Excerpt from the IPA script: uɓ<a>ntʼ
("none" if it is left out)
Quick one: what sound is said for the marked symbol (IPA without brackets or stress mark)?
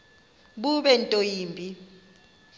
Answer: ɛ